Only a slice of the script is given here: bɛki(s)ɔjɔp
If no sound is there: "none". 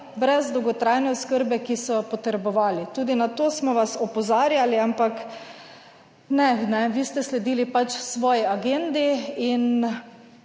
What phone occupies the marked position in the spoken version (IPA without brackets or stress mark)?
s